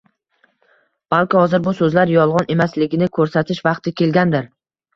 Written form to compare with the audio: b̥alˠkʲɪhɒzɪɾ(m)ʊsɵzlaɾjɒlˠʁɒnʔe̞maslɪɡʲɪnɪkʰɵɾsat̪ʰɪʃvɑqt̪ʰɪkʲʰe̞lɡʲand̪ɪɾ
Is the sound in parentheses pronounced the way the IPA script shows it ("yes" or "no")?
no